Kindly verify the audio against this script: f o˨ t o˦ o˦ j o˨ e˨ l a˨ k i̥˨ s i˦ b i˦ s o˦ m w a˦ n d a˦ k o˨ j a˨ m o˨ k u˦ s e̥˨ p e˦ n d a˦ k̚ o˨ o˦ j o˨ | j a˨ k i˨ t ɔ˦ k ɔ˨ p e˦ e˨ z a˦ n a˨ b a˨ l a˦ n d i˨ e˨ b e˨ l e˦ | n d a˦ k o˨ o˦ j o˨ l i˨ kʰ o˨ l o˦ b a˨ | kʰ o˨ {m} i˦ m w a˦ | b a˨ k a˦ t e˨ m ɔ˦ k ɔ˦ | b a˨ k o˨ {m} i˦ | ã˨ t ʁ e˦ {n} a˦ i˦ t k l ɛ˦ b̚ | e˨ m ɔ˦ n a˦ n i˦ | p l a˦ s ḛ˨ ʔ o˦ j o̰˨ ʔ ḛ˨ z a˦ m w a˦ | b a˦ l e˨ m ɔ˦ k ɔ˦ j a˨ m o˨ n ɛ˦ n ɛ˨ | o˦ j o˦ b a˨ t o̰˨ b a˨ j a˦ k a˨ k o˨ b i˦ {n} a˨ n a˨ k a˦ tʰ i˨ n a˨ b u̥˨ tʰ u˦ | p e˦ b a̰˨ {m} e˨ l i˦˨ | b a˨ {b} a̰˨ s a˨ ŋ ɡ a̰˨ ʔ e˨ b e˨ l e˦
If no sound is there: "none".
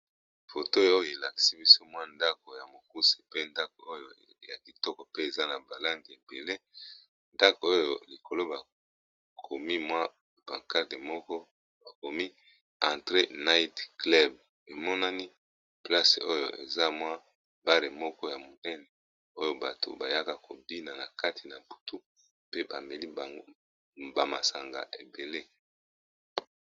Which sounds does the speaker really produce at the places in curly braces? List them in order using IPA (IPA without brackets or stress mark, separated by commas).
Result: m, m, n, n, m, m